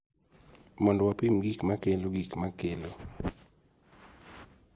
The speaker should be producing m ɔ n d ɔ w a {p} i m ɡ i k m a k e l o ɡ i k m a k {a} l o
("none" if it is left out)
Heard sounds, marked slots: p, e

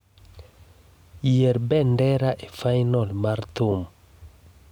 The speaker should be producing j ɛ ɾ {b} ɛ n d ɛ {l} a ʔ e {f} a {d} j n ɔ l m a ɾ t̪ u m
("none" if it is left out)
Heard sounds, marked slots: b, ɾ, f, none

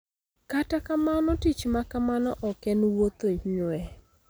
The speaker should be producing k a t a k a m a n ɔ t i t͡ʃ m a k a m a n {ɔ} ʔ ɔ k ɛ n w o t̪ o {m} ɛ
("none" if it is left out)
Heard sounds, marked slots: ɔ, ɲ

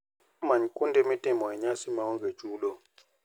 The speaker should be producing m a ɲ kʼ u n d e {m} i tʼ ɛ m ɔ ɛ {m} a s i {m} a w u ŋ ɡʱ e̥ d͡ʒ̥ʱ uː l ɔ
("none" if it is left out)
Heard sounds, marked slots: m, ɲ, m

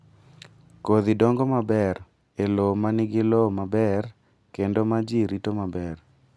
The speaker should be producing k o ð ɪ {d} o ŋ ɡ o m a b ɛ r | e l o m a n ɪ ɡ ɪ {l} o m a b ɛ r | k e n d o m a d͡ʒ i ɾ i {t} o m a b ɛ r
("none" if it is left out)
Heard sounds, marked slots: d, l, t

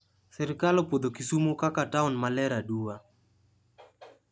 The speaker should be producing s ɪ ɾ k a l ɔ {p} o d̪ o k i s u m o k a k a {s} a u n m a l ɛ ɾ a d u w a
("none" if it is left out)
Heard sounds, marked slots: p, t

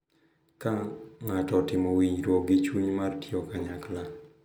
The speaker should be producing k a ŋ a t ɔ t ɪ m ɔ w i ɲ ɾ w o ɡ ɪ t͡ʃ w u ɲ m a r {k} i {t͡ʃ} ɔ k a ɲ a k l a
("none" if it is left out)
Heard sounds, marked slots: t, none

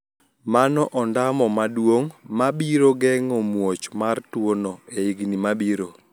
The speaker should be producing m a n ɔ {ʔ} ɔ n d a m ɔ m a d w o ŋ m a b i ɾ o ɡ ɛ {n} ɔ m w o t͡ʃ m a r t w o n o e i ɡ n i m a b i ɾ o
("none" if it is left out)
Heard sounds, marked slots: ʔ, ŋ

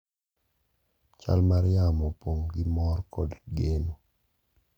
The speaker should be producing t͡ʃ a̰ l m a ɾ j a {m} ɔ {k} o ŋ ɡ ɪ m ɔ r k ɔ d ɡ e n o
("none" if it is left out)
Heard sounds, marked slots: m, p

